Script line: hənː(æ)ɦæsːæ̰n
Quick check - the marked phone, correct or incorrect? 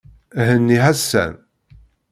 incorrect